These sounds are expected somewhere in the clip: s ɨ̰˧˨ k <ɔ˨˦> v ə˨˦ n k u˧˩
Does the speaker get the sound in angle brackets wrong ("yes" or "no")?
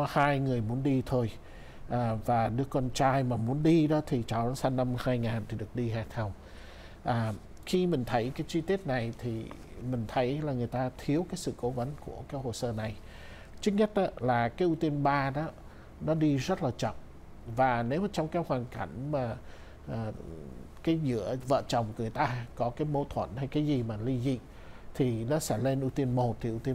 yes